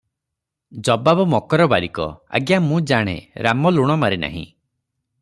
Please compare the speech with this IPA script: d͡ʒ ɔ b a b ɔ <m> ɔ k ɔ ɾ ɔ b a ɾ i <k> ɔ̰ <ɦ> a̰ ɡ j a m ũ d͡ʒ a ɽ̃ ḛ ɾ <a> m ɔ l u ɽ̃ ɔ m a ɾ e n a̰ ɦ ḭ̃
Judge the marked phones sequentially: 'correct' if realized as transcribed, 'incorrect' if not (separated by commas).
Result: correct, correct, incorrect, correct